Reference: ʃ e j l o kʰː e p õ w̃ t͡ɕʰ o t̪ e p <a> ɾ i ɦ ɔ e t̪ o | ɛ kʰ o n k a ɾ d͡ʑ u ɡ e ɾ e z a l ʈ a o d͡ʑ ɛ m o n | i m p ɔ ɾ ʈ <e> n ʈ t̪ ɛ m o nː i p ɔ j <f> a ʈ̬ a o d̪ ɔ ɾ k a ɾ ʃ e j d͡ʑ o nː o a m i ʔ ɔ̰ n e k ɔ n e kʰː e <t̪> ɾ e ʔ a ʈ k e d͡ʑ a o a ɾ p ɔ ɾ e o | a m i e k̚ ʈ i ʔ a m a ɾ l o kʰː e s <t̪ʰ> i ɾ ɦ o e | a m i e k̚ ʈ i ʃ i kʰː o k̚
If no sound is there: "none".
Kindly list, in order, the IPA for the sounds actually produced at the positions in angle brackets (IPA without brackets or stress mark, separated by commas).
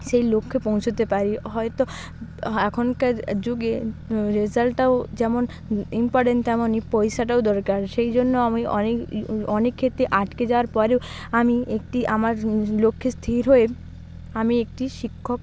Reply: a, e, ʃ, t̪, t̪ʰ